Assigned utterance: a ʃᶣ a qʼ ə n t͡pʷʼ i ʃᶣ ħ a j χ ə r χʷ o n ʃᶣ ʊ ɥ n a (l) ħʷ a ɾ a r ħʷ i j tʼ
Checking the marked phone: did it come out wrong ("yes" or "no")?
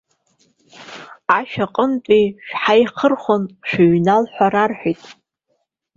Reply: no